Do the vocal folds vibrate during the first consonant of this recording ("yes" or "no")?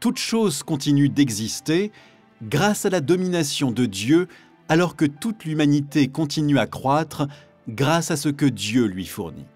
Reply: no